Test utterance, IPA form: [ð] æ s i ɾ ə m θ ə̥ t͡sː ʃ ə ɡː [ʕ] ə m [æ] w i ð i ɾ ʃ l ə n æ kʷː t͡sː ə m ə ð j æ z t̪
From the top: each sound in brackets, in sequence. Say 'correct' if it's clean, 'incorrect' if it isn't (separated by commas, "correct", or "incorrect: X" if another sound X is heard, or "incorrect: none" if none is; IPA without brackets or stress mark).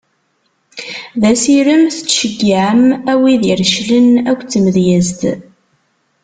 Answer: correct, correct, correct